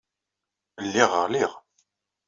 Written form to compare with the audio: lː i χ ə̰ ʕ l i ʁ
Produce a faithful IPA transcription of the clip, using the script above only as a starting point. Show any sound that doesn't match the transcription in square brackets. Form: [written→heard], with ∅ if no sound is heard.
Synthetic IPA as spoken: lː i [χ→ʁ] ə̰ [ʕ→ʁ] l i ʁ